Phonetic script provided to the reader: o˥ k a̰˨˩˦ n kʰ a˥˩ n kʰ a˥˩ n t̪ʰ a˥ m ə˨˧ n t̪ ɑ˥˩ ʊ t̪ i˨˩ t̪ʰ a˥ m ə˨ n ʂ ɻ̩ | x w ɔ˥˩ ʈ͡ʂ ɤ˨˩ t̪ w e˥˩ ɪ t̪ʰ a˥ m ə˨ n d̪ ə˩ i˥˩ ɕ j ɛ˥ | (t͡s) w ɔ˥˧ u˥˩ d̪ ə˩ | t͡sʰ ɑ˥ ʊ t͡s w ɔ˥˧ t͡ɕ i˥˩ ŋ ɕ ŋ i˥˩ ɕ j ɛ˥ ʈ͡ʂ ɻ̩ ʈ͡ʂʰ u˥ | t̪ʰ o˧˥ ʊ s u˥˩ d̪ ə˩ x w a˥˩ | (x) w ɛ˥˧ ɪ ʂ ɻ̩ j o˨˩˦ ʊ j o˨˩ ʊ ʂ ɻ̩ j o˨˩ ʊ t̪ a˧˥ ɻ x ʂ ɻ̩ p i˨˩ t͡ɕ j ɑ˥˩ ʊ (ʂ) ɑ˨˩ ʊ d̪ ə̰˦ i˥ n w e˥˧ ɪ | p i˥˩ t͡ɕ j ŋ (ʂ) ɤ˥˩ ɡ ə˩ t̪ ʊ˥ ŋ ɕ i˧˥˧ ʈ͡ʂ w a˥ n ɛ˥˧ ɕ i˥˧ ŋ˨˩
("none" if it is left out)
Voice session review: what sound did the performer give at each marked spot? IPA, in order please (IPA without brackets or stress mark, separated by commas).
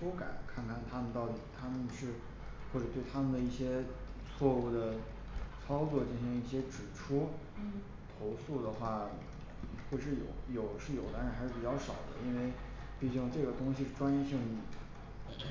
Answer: t͡sʰ, x, ʂ, ʈ͡ʂ